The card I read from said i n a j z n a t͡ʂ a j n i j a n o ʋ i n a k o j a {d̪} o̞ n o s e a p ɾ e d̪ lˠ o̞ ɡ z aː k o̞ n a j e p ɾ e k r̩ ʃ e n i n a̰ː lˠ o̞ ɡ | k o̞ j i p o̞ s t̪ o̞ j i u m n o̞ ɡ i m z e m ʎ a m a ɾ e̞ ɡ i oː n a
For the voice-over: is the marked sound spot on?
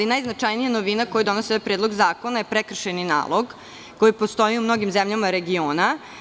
yes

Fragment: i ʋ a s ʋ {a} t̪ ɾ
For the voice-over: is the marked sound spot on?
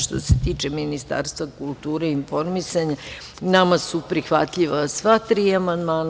yes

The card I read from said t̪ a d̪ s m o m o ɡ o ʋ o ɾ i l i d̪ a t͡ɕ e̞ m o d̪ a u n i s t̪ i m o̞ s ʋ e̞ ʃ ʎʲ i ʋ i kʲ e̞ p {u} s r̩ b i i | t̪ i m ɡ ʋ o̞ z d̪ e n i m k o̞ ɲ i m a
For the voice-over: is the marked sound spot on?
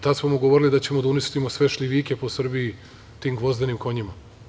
no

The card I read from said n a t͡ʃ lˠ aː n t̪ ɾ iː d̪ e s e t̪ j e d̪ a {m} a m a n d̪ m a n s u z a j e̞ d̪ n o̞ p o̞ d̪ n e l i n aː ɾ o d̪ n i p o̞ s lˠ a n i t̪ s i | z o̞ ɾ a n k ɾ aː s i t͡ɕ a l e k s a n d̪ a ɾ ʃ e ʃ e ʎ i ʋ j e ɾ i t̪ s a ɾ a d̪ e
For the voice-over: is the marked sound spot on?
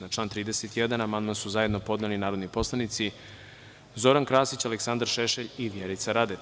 no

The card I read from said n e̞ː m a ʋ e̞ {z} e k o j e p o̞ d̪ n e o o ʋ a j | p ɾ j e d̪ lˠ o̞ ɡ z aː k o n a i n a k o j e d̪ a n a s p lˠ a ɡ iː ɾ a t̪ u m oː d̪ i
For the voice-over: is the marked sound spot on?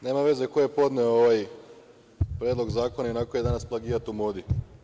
yes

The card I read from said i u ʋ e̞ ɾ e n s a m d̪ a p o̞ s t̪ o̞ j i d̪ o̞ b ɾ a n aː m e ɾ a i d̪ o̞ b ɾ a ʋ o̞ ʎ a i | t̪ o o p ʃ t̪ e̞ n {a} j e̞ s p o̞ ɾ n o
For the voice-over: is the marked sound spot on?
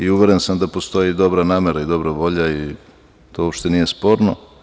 no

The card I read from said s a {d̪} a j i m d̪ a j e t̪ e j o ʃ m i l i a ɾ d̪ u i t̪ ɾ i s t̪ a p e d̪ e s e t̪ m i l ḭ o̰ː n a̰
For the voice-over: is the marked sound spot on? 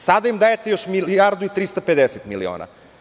yes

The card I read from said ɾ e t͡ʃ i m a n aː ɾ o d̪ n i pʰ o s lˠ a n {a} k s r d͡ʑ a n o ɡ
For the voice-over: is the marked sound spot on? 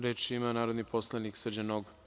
no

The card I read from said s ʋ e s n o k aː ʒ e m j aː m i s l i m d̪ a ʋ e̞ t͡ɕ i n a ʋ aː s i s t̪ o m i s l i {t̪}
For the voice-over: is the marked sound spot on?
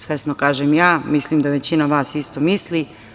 no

